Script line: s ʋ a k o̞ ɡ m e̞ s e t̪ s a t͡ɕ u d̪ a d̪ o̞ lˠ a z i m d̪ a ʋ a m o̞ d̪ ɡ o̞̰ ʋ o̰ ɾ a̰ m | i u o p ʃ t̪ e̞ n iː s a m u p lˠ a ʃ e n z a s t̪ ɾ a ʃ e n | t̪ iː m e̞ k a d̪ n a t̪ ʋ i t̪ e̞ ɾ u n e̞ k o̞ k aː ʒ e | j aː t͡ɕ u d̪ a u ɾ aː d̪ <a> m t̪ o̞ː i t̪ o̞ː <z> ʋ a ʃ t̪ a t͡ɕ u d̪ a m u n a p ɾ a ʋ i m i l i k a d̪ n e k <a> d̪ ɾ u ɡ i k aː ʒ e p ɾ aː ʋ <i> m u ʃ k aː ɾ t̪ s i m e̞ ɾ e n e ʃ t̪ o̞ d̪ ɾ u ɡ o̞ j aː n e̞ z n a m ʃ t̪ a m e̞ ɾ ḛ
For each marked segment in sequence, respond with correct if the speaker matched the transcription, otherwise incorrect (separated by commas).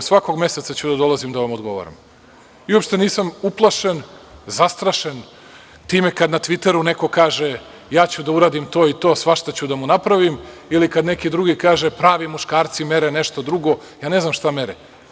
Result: incorrect, incorrect, incorrect, correct